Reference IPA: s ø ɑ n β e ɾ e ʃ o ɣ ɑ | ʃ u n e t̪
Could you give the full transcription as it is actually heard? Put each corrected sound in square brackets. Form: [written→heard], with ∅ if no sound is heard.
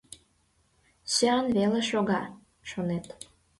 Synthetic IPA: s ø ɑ n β e [ɾ→l] e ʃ o ɣ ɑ | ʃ [u→o] n e t̪